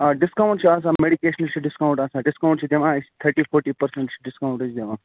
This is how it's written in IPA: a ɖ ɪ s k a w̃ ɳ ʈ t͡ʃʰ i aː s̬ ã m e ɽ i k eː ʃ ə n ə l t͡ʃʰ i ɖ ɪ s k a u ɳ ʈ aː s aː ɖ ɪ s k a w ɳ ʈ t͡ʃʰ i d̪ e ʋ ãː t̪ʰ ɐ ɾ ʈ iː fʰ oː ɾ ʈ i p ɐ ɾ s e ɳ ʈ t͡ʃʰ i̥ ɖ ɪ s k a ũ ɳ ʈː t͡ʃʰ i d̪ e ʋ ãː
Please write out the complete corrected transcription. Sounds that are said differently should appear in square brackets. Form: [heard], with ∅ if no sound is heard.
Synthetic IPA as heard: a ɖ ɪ s k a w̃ ɳ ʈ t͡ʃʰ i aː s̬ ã m e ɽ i k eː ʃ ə n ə l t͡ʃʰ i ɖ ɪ s k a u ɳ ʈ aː s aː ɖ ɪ s k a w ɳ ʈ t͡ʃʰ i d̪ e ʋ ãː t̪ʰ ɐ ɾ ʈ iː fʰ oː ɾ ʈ i p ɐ ɾ s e ɳ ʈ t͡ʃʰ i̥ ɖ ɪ s k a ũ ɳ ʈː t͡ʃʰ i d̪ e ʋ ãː